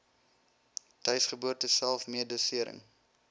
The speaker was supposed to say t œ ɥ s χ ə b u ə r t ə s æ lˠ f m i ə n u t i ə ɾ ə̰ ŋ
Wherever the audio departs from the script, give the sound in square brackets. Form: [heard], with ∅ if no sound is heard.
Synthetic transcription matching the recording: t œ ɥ s χ ə b u ə r t ə s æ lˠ f m i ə [d] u [s] i ə ɾ ə̰ ŋ